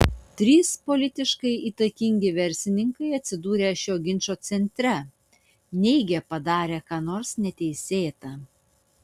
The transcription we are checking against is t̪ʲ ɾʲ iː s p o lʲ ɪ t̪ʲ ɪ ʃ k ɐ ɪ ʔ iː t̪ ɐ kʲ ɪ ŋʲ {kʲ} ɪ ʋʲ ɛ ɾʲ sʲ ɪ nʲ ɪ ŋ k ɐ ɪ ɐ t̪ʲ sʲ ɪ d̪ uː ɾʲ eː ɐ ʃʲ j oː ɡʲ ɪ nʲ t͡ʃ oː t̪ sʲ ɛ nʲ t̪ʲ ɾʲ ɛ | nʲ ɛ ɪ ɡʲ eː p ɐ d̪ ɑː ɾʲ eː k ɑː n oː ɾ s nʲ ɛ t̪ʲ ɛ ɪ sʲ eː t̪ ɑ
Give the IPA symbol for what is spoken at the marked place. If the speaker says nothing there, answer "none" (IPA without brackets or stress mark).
ɡʲ